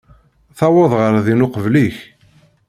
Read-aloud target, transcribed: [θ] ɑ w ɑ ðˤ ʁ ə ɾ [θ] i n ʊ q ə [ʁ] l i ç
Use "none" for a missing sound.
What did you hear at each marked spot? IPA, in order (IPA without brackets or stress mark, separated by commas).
θ, ð, v